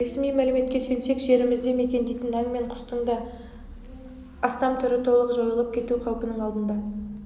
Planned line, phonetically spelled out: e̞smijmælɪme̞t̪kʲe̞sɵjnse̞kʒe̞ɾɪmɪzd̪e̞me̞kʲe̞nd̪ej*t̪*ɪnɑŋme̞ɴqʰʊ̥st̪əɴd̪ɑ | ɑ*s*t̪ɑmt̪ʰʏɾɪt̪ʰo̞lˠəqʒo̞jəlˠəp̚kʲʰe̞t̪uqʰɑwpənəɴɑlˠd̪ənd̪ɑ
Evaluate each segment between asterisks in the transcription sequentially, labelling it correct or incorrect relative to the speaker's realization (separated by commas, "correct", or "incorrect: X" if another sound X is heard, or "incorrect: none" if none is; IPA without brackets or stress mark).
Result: correct, correct